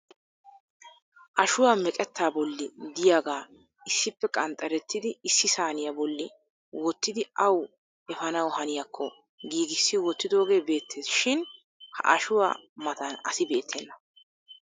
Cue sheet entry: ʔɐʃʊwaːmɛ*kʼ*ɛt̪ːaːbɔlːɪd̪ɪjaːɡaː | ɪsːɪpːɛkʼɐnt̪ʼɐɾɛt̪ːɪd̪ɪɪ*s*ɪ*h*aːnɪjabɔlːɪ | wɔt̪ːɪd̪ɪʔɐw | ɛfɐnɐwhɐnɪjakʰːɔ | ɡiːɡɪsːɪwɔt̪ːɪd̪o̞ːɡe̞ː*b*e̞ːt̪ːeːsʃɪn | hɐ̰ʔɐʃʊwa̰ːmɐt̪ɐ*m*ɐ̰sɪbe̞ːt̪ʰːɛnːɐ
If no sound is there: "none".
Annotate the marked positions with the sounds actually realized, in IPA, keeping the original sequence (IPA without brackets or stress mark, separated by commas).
kʼ, sː, s, b, n